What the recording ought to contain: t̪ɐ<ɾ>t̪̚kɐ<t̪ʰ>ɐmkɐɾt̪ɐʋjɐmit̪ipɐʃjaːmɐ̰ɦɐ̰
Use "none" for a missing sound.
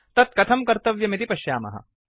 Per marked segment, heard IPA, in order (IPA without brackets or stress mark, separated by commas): none, t̪ʰ